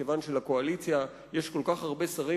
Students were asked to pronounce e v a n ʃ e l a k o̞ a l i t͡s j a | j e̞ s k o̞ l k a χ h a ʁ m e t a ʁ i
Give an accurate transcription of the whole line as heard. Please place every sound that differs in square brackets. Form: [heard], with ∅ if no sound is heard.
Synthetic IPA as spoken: e v a n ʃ e l a k o̞ a l i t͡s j a | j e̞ [ʃ] k o̞ l k a χ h a ʁ [b] e [s] a ʁ i